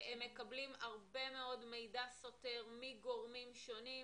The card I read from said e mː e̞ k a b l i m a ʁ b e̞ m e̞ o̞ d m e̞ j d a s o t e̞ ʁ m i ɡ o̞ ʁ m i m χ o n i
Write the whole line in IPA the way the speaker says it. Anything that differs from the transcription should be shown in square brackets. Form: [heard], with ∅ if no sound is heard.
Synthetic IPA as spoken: e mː e̞ k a b l i m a ʁ b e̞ m e̞ o̞ d m e̞ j d a s o t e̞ ʁ m i ɡ o̞ ʁ m i m [ʃ] o n i

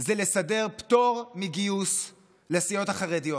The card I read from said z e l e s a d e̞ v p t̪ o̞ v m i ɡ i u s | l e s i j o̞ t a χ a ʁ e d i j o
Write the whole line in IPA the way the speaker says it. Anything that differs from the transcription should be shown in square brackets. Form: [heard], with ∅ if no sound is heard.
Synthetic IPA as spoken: z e l e s a d e̞ [ʁ] p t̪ o̞ [ʁ] m i ɡ i u s | l e s i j o̞ t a χ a ʁ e d i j o

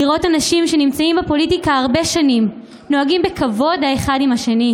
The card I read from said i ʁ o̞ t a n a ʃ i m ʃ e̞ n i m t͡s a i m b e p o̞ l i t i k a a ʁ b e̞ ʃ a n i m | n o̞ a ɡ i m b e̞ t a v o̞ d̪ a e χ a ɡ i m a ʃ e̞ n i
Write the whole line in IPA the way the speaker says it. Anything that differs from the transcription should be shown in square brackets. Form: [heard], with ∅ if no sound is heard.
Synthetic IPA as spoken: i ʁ o̞ t a n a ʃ i m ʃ e̞ n i m t͡s a i m b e p o̞ l i t i k a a ʁ b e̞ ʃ a n i m | n o̞ a ɡ i m b e̞ [k] a v o̞ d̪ a e χ a [d] i m a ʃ e̞ n i

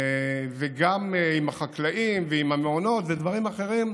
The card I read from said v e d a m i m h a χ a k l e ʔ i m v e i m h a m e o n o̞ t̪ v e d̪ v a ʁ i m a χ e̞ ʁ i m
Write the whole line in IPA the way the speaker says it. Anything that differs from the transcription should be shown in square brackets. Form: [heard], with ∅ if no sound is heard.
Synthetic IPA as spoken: v e [ɡ] a m i m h a χ a k l [a] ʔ i m v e i m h a m e o n o̞ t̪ v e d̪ v a ʁ i m a χ e̞ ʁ i m

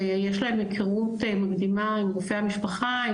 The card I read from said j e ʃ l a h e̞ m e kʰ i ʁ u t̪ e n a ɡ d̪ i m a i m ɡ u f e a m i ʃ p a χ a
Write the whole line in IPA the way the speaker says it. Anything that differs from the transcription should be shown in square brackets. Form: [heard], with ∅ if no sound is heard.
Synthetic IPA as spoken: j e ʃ l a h e̞ m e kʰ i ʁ u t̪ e [m] a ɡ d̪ i m a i m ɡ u f e a m i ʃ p a χ a

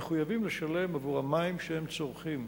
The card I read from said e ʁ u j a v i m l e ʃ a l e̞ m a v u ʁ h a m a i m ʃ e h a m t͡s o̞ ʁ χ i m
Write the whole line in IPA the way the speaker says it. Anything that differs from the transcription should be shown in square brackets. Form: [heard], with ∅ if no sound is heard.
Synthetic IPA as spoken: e [χ] u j a v i m l e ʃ a l e̞ m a v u ʁ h a m a i m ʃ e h [e] m t͡s o̞ ʁ χ i m

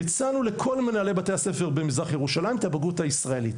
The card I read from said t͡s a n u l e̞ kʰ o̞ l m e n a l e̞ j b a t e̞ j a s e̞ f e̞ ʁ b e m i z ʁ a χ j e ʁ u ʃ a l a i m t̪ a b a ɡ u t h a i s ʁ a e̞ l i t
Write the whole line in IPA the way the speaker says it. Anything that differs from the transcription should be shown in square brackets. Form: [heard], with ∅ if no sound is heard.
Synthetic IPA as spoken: t͡s a n u l e̞ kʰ o̞ l m e n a l e̞ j b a t e̞ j a s e̞ f e̞ ʁ b e m i z ʁ a χ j e ʁ u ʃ a l a i m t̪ a b a ɡ u t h a i s ʁ a e̞ l i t

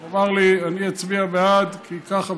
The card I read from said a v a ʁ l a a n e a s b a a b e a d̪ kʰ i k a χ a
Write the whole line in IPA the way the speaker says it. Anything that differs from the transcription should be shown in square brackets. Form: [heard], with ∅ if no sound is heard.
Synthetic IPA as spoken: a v a ʁ l [i] a n [i] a [t͡s] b [i] a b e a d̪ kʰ i k a χ a

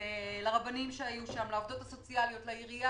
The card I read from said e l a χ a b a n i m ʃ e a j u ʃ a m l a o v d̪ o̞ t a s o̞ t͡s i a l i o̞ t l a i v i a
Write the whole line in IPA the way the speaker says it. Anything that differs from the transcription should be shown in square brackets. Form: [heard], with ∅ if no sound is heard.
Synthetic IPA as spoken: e l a [ʁ] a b a n i m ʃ e a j u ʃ a m l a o v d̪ o̞ t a s o̞ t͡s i a l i o̞ t l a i [ʁ] i a

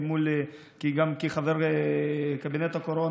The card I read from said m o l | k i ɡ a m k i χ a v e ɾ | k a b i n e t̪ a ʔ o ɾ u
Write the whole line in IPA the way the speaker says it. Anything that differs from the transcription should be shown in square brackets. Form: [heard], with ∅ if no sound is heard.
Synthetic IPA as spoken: m [u] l | k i ɡ a m k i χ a v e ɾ | k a b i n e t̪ a [k] o ɾ [o]

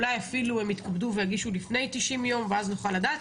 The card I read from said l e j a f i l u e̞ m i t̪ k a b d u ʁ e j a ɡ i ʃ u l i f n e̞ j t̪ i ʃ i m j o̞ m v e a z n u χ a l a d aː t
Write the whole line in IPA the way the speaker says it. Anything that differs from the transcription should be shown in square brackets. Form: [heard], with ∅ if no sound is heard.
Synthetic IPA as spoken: l [a] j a f i l u e̞ m i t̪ k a b d u [v] e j a ɡ i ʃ u l i f n e̞ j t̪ i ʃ i m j o̞ m v e a z n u χ a l a d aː t

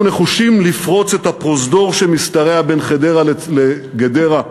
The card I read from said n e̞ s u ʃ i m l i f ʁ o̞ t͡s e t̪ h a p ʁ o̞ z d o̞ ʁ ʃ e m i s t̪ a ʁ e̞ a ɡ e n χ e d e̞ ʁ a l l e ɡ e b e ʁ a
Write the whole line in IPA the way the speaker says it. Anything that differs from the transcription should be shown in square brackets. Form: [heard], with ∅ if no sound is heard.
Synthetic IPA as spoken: n e̞ [χ] u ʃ i m l i f ʁ o̞ t͡s e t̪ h a p ʁ o̞ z d o̞ ʁ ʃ e m i s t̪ a ʁ e̞ a [b] e n χ e d e̞ ʁ a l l e ɡ e [d] e ʁ a

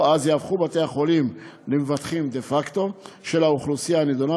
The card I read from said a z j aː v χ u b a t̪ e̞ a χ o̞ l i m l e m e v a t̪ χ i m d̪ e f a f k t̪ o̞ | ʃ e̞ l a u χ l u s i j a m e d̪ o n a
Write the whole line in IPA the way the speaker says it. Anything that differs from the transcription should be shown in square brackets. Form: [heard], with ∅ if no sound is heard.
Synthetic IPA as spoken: a z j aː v χ u b a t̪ e̞ a χ o̞ l i m l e m e v a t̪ χ i m d̪ e f a [∅] k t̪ o̞ | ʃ e̞ l a u χ l u s i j a [n] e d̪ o n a

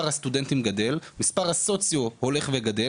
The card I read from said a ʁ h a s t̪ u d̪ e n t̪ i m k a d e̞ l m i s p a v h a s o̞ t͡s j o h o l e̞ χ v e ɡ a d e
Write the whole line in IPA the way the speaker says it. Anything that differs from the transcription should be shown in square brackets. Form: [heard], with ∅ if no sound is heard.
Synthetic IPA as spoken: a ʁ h a s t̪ u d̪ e n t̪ i m [ɡ] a d e̞ l m i s p a [ʁ] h a s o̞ t͡s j o h o l e̞ χ v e ɡ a d e

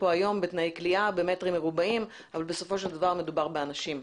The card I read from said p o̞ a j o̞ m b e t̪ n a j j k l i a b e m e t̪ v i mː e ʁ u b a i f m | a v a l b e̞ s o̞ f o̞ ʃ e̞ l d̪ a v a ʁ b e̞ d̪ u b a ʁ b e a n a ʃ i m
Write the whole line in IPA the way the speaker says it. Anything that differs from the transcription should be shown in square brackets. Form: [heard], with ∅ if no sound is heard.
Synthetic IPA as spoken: p o̞ a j o̞ m b e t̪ n a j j k l i a b e m e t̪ [ʁ] i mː e ʁ u b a i [∅] m | a v a l b e̞ s o̞ f o̞ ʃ e̞ l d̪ a v a ʁ [m] e̞ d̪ u b a ʁ b e a n a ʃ i m

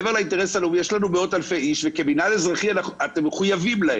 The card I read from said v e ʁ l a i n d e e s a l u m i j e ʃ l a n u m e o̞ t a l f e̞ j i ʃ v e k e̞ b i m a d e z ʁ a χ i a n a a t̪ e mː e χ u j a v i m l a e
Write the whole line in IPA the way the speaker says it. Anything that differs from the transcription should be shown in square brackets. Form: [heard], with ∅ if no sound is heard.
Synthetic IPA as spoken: v e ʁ l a i n [t] e e s a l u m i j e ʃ l a n u m e o̞ t a l f e̞ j i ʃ v e k e̞ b i [n] a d e z ʁ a χ i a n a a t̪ e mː e χ u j a v i m l a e

